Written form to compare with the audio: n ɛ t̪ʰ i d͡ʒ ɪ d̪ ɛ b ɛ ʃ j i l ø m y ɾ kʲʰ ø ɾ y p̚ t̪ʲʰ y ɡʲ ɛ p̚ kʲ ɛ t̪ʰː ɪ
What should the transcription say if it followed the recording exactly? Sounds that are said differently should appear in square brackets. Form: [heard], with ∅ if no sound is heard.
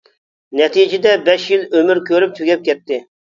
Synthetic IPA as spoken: n ɛ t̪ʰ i d͡ʒ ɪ d̪ ɛ b ɛ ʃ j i l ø m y ɾ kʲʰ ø ɾ y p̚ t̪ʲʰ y ɡʲ ɛ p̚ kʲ ɛ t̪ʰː ɪ